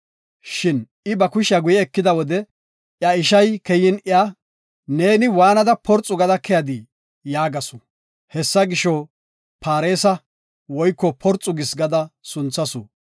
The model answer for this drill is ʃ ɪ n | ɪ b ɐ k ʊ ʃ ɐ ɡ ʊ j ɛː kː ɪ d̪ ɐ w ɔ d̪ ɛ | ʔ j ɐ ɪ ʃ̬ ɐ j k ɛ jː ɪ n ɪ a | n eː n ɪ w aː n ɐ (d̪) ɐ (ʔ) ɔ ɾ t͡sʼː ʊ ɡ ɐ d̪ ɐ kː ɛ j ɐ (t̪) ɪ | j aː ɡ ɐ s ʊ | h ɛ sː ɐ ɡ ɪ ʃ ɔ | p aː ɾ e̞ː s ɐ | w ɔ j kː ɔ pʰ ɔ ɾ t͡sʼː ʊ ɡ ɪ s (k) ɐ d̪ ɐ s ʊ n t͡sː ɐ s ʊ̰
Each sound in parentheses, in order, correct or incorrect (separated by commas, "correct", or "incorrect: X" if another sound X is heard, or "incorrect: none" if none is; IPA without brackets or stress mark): correct, incorrect: p, incorrect: d̪, incorrect: ɡ